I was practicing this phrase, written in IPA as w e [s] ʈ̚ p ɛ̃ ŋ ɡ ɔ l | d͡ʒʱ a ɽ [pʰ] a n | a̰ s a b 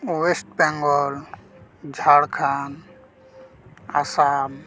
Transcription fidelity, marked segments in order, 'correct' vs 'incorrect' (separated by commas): correct, incorrect